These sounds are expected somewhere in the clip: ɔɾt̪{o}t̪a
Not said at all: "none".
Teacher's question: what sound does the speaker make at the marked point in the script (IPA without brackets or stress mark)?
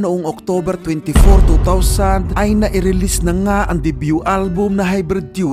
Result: u